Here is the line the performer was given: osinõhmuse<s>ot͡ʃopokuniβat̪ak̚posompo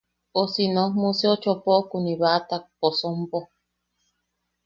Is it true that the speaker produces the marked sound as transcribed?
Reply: no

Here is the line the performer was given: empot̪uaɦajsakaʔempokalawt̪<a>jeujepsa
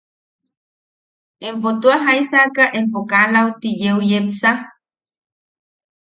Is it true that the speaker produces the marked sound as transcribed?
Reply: no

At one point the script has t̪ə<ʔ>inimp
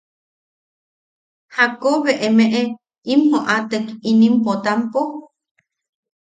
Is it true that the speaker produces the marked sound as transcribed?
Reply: no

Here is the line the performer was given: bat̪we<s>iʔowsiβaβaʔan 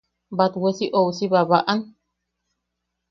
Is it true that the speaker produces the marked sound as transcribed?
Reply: yes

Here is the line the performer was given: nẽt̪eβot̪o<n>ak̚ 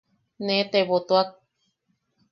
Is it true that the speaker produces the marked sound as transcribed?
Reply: no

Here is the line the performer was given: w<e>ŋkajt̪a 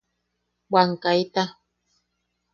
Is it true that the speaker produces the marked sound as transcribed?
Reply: no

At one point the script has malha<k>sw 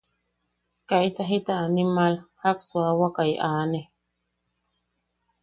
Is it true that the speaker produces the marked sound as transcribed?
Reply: yes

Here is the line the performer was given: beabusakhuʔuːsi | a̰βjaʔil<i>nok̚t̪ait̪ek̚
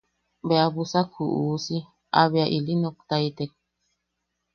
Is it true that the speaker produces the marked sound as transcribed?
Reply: yes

